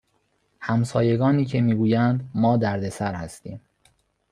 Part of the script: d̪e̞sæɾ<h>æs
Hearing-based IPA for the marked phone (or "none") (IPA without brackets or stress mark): h